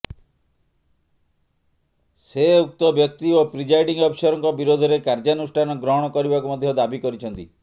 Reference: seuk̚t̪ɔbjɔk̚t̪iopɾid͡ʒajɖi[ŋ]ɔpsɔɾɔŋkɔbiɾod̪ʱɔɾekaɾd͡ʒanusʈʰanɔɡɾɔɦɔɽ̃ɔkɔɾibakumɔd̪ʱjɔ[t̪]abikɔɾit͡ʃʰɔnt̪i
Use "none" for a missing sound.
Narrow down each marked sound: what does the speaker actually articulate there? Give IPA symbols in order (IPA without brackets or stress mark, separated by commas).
ŋ, d̪